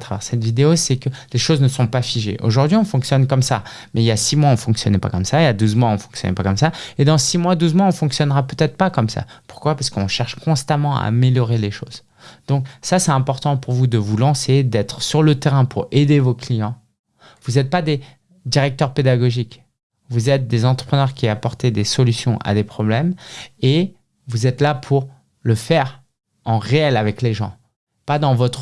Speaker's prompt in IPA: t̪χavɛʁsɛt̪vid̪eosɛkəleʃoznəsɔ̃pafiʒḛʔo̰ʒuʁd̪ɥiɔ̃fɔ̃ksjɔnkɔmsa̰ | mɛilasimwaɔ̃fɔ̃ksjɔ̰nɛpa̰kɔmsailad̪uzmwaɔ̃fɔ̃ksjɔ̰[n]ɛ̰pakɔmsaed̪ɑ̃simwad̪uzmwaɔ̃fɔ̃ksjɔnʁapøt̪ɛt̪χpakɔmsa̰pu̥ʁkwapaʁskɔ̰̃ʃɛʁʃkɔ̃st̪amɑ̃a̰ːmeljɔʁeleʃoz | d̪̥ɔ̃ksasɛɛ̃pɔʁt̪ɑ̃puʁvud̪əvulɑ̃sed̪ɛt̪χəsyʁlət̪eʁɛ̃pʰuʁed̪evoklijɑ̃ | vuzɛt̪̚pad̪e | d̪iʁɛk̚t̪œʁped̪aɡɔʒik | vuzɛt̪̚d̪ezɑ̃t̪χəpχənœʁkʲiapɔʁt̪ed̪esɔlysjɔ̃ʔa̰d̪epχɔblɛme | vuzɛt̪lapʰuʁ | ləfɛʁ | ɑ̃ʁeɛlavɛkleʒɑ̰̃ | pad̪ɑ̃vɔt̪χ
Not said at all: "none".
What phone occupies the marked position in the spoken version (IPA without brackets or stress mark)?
n